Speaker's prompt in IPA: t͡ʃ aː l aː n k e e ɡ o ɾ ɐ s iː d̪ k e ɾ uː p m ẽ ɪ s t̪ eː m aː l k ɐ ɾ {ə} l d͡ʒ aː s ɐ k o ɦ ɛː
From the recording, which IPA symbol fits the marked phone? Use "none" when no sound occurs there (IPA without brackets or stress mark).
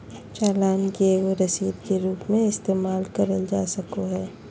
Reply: ə